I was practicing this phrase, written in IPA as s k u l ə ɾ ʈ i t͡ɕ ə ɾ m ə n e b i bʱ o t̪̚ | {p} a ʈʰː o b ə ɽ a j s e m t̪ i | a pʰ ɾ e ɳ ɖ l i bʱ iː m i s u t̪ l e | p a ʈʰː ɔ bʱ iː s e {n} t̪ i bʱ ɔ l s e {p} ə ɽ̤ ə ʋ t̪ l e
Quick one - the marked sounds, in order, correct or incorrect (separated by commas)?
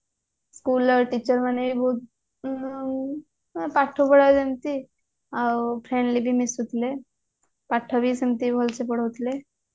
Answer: correct, incorrect, correct